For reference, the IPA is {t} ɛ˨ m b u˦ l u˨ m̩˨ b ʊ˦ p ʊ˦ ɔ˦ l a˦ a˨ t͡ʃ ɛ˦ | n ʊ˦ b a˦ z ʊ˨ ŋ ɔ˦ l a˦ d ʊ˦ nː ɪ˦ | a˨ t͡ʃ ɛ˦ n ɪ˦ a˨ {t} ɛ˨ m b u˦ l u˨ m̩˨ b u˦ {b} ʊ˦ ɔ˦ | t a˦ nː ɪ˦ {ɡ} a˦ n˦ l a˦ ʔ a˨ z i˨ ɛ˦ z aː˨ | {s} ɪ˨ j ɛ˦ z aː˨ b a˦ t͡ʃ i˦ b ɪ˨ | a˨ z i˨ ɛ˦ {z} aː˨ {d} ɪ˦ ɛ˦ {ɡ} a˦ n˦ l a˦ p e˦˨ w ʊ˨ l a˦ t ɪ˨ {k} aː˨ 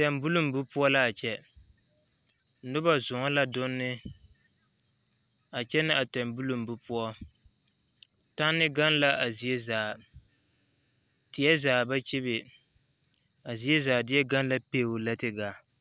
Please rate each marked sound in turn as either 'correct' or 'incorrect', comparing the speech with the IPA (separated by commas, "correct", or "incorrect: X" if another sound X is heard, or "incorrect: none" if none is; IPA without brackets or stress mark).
correct, correct, incorrect: p, correct, incorrect: t, correct, correct, correct, incorrect: ɡ